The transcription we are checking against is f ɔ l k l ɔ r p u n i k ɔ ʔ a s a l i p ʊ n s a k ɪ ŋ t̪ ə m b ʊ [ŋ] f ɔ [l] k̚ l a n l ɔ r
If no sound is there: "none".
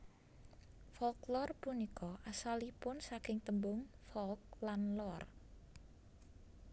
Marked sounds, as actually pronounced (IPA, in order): ŋ, l

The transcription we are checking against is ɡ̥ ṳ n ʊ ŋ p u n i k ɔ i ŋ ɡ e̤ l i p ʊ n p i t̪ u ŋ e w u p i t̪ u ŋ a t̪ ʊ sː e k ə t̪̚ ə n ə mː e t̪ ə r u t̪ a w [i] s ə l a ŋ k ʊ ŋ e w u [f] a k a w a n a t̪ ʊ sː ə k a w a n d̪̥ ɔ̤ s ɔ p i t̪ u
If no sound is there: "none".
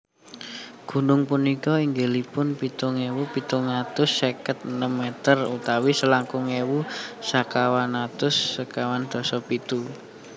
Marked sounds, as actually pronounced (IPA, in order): i, s

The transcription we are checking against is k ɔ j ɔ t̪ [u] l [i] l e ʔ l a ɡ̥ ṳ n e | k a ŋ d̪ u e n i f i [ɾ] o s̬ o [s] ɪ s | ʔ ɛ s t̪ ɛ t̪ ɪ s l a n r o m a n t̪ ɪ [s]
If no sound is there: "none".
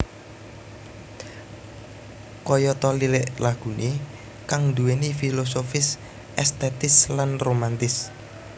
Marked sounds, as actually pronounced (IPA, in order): ɔ, i, l, f, s

